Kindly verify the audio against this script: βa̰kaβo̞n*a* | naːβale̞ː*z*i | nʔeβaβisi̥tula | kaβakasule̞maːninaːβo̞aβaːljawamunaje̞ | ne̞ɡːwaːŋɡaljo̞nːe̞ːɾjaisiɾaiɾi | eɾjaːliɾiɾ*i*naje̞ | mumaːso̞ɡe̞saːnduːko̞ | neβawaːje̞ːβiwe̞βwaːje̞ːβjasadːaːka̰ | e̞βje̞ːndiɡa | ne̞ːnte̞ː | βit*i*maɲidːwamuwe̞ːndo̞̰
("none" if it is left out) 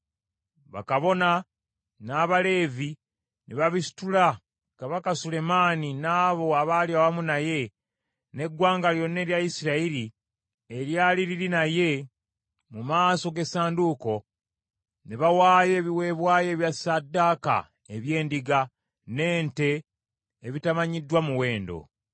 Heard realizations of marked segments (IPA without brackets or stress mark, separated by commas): a, v, i, a